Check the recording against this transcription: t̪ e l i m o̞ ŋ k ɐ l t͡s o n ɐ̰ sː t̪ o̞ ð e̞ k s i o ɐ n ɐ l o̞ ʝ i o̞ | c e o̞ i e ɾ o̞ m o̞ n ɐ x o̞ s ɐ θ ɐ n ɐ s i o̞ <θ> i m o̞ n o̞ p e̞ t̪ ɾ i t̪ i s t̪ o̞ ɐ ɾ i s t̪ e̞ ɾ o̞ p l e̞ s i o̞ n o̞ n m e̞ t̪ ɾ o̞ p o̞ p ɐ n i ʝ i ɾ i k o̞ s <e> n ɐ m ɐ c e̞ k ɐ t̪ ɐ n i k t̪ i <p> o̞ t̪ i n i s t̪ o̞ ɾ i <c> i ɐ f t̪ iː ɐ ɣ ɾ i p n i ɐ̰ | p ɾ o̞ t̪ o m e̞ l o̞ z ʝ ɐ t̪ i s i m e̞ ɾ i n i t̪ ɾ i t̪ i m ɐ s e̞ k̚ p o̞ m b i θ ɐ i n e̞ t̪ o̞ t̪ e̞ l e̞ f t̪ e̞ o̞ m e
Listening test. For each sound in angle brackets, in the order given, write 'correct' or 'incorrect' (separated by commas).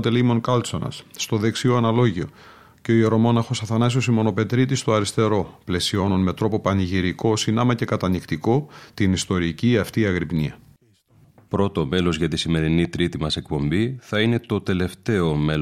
incorrect, incorrect, incorrect, correct